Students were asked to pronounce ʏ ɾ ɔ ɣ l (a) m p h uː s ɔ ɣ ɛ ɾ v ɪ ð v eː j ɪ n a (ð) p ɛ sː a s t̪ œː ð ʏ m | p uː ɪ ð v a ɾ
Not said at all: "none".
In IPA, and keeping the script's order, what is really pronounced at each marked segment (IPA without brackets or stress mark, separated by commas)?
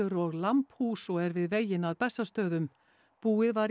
a, ð